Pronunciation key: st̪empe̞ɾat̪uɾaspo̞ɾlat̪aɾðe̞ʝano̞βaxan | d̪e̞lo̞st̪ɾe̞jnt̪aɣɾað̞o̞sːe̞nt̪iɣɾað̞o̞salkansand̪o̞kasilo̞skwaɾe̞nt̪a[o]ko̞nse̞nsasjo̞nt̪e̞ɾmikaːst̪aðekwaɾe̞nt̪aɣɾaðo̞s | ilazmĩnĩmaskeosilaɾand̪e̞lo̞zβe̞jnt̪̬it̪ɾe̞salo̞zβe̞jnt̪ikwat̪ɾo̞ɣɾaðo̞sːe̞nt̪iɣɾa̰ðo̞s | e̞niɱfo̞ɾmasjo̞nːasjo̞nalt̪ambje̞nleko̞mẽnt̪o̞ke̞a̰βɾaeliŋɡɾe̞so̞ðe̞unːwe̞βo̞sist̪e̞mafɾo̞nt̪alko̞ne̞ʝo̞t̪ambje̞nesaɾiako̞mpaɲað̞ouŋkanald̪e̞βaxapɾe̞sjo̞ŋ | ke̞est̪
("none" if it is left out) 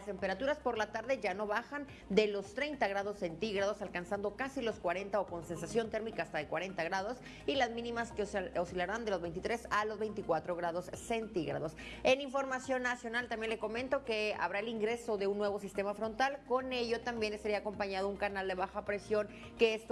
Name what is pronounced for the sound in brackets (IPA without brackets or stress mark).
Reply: o